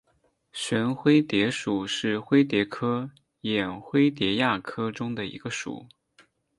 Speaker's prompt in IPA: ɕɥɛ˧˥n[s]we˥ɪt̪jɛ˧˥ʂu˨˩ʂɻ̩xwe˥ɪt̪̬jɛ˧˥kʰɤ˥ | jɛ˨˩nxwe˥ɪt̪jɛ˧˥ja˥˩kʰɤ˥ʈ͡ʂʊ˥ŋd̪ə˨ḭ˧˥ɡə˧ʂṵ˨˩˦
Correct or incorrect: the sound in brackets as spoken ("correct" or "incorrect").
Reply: incorrect